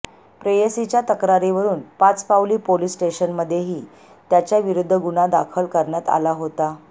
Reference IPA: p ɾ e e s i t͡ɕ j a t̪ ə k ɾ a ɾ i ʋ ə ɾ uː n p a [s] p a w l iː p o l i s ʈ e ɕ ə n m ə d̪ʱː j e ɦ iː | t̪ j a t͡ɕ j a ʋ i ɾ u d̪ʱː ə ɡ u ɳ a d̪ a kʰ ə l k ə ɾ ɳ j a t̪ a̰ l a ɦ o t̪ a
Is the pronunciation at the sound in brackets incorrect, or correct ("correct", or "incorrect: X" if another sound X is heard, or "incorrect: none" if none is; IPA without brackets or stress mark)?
incorrect: t͡s